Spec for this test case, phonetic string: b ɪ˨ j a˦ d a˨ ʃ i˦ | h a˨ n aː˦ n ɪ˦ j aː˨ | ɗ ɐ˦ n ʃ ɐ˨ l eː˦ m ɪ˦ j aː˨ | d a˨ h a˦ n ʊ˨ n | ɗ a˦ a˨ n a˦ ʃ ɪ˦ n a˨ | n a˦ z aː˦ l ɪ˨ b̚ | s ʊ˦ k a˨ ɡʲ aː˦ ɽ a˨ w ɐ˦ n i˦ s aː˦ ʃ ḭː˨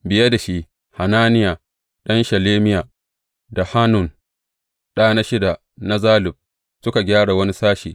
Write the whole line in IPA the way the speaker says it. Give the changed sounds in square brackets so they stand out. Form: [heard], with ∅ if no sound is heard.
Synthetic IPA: b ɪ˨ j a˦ d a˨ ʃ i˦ | h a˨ n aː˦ n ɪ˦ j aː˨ | ɗ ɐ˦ n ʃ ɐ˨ l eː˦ m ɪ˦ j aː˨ | d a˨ h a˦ n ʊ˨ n | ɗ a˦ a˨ n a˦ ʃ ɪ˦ [d] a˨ | n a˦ z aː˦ l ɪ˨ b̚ | s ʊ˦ k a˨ ɡʲ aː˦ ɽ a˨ w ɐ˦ n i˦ s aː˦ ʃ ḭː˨

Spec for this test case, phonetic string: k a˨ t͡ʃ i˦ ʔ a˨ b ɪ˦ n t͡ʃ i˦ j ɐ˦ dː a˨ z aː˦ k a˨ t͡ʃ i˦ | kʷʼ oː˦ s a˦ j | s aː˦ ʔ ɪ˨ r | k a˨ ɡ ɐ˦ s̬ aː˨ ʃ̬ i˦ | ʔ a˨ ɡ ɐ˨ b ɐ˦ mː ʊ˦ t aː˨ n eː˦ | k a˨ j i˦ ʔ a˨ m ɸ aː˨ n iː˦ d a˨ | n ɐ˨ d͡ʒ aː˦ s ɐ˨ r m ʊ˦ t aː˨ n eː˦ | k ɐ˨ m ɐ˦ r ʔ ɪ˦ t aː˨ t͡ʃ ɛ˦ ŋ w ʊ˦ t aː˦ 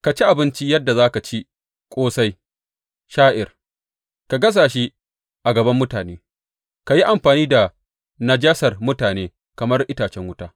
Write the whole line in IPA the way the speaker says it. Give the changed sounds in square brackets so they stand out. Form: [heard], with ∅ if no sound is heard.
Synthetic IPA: k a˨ t͡ʃ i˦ ʔ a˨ b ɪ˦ n t͡ʃ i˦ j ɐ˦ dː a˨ z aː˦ k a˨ t͡ʃ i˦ | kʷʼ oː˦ s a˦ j | [ʃ] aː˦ ʔ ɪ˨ r | k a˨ ɡ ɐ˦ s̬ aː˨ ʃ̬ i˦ | ʔ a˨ ɡ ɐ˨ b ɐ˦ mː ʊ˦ t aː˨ n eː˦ | k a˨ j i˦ ʔ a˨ m ɸ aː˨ n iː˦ d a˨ | n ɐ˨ d͡ʒ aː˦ s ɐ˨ r m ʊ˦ t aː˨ n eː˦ | k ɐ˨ m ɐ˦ r ʔ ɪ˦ t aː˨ t͡ʃ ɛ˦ ŋ w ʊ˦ t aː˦

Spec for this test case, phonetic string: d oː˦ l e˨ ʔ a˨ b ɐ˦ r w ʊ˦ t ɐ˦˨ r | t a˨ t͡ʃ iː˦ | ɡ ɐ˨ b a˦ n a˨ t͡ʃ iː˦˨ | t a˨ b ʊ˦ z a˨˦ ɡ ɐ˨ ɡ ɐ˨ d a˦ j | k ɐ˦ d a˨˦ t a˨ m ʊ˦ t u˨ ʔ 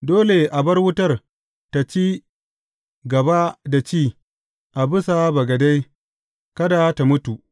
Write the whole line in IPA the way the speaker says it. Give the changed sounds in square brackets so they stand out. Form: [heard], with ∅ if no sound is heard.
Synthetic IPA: d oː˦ l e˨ ʔ a˨ b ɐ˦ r w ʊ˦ t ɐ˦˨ r | t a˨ t͡ʃ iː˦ | ɡ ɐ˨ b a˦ [d] a˨ t͡ʃ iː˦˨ | [ʔ] a˨ b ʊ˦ [s] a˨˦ [b] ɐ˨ ɡ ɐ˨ d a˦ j | k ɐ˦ d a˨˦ t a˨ m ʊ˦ t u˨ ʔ

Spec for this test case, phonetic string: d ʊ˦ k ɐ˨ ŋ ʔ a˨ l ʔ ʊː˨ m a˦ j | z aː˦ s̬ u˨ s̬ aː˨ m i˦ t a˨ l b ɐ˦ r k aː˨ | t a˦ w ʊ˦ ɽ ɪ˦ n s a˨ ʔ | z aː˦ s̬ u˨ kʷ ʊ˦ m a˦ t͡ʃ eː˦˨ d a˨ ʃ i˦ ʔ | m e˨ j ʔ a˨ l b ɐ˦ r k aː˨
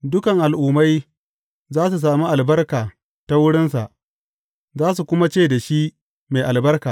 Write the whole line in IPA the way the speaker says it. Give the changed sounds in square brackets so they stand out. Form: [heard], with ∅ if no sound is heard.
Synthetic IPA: d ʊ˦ k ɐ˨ ŋ ʔ a˨ l ʔ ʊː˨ m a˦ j | z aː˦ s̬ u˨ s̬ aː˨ m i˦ [ʔ] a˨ l b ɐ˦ r k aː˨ | t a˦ w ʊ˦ ɽ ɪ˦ n s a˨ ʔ | z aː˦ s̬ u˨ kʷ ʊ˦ m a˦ t͡ʃ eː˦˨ d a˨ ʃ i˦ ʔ | m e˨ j ʔ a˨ l b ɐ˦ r k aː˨

